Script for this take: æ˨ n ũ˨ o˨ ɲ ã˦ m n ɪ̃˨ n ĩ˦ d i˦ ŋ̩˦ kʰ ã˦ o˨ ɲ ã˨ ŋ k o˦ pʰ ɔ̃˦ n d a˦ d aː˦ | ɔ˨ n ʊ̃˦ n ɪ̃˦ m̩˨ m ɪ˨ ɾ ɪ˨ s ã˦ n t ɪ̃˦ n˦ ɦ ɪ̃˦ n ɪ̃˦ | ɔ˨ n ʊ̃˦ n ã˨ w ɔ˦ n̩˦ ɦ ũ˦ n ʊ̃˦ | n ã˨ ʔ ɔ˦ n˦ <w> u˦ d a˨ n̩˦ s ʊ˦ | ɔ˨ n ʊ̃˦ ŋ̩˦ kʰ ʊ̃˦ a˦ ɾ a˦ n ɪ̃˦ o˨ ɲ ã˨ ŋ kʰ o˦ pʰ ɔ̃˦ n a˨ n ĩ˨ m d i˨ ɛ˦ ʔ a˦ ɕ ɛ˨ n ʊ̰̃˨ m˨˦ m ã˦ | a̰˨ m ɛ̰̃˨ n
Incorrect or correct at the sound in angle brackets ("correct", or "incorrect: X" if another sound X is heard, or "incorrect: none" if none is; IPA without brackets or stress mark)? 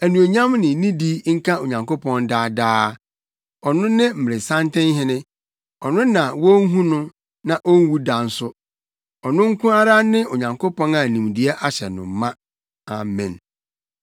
correct